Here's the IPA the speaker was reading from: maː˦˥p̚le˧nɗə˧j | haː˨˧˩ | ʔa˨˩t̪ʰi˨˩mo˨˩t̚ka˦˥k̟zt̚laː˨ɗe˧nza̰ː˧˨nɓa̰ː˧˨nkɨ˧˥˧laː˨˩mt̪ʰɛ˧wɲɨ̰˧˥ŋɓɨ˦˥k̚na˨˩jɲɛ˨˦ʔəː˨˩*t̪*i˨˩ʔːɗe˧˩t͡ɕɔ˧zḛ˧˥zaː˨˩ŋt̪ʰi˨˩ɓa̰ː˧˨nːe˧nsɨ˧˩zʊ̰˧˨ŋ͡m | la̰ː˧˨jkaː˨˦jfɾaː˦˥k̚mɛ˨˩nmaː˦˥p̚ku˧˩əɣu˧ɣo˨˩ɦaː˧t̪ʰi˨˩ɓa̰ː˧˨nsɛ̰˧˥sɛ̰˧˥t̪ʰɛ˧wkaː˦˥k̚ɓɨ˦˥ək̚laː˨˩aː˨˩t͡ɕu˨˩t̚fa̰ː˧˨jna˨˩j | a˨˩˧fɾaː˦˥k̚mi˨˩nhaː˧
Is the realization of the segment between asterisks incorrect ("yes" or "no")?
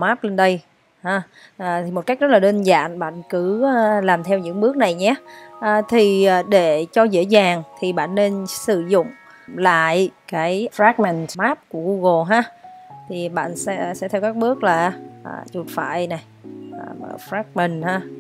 yes